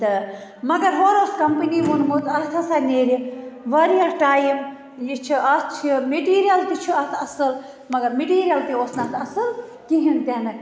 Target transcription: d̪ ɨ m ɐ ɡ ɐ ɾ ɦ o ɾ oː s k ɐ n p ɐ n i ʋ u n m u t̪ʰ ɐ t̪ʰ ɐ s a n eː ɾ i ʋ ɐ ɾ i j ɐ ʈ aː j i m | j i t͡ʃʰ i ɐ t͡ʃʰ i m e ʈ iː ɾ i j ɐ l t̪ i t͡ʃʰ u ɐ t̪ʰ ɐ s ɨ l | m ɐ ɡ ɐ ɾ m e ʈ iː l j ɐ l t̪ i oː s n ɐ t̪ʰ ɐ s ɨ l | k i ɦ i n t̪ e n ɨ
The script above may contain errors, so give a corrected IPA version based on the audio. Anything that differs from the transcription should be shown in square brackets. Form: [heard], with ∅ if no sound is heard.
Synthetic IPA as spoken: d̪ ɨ m ɐ ɡ ɐ ɾ ɦ o ɾ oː s k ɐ [m] p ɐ n i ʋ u n m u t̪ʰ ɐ t̪ʰ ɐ s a n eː ɾ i ʋ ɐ ɾ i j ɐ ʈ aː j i m | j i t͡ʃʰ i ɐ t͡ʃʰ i m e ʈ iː ɾ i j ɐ l t̪ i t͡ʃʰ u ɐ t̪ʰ ɐ s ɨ l | m ɐ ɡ ɐ ɾ m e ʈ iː [ɾ] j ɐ l t̪ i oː s n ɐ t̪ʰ ɐ s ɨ l | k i ɦ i n t̪ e n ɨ